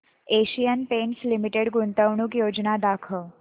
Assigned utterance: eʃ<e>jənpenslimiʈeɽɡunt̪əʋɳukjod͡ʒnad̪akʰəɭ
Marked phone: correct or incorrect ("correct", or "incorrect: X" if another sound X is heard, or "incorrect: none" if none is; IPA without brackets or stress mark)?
incorrect: i